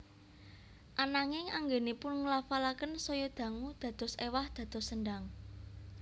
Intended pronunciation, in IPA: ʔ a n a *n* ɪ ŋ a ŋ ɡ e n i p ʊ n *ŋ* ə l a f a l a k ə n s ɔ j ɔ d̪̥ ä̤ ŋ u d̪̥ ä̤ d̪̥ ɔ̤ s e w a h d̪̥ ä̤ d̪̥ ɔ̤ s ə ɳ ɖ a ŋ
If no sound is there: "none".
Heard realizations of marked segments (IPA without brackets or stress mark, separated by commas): ŋ, ŋ